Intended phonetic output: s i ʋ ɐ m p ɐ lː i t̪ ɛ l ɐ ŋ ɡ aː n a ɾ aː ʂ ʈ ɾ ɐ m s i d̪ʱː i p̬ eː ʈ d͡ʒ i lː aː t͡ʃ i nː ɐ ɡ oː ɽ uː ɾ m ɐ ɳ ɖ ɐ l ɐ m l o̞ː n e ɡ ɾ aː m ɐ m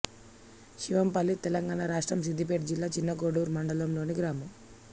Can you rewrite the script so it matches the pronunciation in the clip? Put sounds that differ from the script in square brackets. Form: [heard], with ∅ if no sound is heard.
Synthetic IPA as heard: [ʃ] i ʋ ɐ m p ɐ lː i t̪ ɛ l ɐ ŋ ɡ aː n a ɾ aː ʂ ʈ ɾ ɐ m s i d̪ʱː i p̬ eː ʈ d͡ʒ i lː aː t͡ʃ i nː ɐ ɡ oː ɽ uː ɾ m ɐ ɳ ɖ ɐ l ɐ m l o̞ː n [i] ɡ ɾ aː m ɐ m